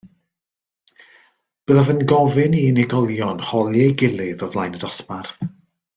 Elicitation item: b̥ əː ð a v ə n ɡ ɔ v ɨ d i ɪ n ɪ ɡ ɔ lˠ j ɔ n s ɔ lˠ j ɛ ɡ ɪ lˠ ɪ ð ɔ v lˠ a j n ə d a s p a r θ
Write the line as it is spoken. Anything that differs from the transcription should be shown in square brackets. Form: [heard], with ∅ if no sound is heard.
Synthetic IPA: b̥ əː ð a v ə n ɡ ɔ v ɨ [n] i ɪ n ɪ ɡ ɔ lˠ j ɔ n [h] ɔ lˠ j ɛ ɡ ɪ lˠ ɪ ð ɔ v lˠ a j n ə d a s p a r θ